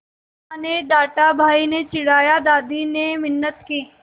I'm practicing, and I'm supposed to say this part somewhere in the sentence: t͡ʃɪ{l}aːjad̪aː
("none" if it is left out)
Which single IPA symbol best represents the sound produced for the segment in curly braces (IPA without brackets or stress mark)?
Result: ɽ